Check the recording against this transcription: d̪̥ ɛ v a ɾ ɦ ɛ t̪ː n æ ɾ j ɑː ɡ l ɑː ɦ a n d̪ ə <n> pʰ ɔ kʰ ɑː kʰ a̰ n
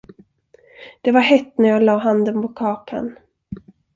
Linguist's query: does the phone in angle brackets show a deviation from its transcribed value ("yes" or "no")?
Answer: no